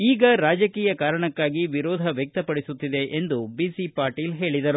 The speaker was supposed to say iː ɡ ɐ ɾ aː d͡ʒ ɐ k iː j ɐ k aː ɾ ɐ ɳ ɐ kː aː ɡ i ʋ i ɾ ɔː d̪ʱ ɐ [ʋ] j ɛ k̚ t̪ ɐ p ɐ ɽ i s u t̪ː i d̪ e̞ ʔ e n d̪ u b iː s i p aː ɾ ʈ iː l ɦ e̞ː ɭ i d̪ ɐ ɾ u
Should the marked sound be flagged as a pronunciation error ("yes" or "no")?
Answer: no